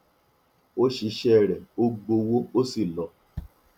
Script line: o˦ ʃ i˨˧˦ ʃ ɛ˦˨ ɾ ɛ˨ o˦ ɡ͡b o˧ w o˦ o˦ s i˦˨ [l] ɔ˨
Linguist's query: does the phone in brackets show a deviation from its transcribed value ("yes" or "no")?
no